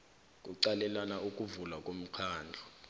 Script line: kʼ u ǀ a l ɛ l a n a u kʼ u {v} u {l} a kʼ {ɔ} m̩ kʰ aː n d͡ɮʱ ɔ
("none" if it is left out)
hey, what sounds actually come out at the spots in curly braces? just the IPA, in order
v, l, o

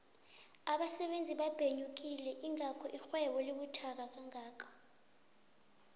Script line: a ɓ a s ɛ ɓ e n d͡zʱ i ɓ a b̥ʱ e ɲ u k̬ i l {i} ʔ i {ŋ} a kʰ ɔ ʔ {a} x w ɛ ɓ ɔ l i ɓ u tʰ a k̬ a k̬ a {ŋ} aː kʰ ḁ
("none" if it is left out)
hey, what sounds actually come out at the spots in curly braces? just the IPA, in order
ɛ, ŋ, i, ŋ

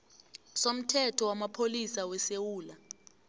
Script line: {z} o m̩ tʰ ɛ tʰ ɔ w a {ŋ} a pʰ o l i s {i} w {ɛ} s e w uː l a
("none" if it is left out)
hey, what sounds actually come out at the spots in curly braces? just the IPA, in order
s, m, a, ɛ

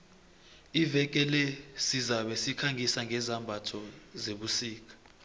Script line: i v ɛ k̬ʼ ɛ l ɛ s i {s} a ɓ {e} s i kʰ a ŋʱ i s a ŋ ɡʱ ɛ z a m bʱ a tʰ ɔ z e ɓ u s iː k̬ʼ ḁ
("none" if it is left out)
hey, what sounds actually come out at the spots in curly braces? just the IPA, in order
z, ɛ

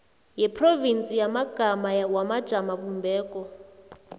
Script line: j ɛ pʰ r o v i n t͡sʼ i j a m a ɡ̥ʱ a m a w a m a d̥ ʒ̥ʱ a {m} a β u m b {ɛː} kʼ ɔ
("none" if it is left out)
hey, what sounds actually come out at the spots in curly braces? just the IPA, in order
m, ɛː

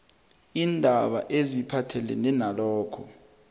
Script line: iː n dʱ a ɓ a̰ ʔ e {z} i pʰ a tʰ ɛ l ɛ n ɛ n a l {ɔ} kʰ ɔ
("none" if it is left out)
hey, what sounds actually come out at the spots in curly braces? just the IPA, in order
z, ɔː

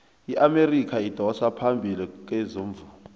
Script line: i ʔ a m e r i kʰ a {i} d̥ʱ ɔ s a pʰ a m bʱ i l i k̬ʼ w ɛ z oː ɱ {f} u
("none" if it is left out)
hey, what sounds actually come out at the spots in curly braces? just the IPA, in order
i, v

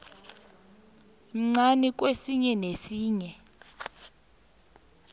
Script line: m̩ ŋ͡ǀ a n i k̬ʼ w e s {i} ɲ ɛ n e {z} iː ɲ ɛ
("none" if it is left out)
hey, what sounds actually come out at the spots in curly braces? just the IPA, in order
i, s

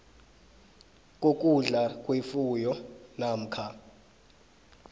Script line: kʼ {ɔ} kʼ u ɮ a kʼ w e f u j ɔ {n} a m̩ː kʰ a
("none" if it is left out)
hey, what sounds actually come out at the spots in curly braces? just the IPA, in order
o, n

